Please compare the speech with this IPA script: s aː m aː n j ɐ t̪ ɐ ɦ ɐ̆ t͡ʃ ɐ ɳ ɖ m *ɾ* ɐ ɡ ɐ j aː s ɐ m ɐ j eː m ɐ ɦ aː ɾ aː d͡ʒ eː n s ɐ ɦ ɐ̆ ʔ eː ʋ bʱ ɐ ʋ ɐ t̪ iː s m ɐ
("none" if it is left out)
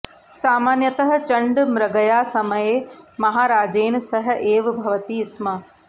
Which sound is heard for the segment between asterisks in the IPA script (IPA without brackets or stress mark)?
ɾ